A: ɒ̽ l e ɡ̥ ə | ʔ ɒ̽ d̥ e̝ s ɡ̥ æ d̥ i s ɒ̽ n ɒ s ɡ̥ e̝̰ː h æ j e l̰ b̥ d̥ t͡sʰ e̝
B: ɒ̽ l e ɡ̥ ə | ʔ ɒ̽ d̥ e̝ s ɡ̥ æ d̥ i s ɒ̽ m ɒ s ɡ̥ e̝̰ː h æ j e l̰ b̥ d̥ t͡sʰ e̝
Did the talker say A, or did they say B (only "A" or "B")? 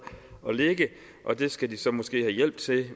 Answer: B